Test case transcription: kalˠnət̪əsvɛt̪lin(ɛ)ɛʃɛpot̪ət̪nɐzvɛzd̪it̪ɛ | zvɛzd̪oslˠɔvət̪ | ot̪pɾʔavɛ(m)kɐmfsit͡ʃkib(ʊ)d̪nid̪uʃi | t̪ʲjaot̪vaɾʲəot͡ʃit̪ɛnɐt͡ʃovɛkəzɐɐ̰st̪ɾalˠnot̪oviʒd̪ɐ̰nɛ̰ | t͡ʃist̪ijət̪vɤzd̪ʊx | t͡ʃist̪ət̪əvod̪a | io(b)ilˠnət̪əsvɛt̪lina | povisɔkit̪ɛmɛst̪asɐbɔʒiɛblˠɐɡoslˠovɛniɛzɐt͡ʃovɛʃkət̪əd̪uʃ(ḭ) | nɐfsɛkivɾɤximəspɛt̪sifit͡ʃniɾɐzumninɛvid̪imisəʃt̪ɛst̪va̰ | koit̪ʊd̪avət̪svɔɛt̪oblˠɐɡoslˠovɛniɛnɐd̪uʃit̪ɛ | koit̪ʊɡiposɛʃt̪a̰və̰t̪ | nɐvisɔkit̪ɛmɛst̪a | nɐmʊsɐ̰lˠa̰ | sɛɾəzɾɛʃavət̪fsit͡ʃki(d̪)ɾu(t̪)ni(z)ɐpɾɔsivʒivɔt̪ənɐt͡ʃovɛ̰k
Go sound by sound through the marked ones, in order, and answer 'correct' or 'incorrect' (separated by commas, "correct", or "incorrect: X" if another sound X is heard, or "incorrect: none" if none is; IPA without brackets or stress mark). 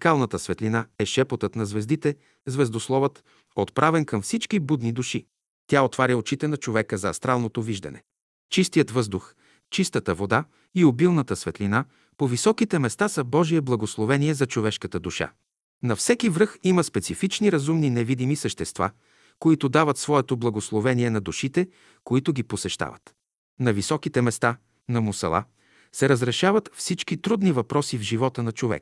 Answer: incorrect: a, incorrect: n, incorrect: u, correct, incorrect: a̰, incorrect: t̪, incorrect: d̪, incorrect: v